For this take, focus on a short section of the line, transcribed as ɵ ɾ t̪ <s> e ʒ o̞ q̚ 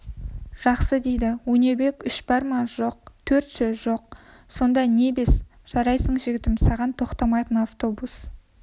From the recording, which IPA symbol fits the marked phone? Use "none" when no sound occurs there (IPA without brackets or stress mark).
ʃ